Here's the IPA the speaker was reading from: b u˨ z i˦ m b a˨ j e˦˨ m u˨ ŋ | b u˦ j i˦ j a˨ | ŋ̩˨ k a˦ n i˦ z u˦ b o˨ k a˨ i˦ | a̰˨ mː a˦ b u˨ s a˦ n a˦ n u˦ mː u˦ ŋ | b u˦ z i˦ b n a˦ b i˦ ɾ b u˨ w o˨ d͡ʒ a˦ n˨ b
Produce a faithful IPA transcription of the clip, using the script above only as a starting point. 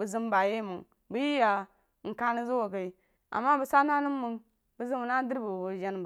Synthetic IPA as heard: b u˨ z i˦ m b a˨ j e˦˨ m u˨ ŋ | b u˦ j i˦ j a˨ | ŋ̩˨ k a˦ n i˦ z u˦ w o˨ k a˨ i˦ | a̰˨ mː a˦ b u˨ s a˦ n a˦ n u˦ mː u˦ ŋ | b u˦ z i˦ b n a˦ d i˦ ɾ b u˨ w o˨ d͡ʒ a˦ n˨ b